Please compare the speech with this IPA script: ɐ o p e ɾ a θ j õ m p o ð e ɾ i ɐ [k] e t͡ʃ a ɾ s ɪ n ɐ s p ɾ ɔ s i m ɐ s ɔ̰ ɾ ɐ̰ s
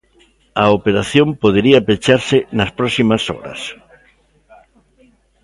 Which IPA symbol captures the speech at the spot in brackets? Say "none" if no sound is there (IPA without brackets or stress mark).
p